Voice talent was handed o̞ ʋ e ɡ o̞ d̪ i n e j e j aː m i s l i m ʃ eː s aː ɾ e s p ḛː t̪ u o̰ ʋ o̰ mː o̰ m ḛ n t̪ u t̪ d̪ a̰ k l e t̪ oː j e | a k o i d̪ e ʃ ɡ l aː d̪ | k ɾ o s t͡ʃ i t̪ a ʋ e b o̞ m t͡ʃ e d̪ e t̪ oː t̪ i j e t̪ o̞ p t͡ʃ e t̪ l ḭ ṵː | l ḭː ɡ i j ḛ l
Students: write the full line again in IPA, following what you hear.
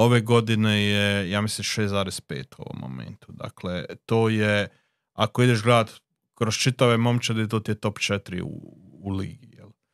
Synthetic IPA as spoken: o̞ ʋ e ɡ o̞ d̪ i n e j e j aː m i s l i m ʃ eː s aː ɾ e s p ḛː t̪ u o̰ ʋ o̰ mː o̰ m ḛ n t̪ u d̪ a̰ k l e t̪ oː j e | a k o i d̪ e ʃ ɡ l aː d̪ | k ɾ o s t͡ʃ i t̪ a ʋ e m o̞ m t͡ʃ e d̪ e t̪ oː t̪ i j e t̪ o̞ p t͡ʃ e t̪ ɾ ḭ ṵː | l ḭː ɡ i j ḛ l